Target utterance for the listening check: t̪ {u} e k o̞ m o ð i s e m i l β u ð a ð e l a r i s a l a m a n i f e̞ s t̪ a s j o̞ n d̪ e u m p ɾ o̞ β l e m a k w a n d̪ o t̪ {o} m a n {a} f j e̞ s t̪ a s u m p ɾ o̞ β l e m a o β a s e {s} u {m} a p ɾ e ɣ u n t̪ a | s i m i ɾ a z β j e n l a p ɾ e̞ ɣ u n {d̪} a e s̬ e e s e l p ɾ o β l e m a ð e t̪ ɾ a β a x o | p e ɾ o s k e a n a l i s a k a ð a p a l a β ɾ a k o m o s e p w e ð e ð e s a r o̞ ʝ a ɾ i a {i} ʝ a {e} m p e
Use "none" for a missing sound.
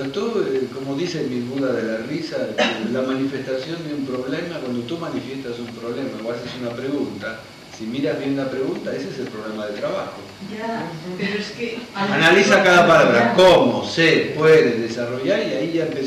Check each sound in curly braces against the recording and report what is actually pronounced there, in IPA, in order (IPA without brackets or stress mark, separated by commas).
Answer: u, u, i, s, n, t̪, i, e